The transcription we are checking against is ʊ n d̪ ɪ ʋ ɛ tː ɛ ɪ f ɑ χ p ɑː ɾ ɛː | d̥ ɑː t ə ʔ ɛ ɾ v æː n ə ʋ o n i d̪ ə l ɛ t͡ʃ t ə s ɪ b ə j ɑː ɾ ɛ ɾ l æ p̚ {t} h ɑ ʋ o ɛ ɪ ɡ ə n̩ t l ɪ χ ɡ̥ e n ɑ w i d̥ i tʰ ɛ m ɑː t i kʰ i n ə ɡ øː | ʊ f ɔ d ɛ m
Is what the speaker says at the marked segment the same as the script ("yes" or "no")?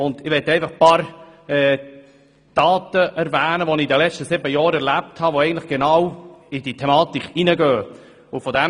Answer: yes